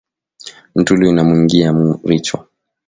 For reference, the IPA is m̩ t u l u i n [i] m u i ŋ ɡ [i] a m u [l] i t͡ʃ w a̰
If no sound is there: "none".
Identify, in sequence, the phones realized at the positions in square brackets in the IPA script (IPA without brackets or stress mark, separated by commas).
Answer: a, i, ɾ